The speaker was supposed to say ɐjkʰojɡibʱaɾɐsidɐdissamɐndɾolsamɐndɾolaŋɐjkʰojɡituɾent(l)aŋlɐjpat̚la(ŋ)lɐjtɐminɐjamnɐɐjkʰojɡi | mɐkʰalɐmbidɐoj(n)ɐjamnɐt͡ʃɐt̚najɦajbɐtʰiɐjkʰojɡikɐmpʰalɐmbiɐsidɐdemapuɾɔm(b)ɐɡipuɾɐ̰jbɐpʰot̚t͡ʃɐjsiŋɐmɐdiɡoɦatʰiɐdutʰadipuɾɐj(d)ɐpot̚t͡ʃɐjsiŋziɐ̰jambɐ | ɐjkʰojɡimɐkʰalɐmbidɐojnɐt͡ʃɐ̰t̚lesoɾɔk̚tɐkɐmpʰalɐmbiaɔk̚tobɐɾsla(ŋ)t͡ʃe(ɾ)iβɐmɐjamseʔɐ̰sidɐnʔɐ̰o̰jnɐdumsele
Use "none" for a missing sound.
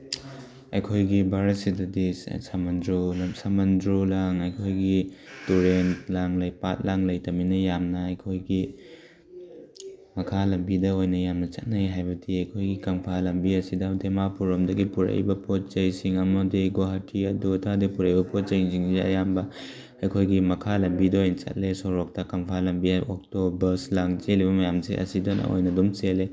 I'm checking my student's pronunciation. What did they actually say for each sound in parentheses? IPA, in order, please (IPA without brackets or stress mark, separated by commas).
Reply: l, ŋ, n, d, b, ŋ, l